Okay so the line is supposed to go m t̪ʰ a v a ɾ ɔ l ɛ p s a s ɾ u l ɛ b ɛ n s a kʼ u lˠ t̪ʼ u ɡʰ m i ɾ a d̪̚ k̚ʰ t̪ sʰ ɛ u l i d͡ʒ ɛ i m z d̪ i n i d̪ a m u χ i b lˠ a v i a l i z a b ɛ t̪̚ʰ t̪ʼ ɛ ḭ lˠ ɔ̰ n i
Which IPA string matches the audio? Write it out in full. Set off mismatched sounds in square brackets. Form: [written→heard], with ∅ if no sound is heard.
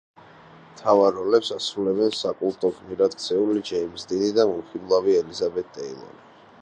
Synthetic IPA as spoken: m t̪ʰ a v a ɾ ɔ l ɛ p s a s ɾ u l ɛ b ɛ n s a kʼ u lˠ t̪ʼ [u→ɔ] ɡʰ m i ɾ a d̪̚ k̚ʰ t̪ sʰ ɛ u l i d͡ʒ ɛ i m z d̪ i n i d̪ a m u χ i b lˠ a v i [a→ɛ] l i z a b ɛ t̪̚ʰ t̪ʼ ɛ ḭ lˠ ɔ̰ n i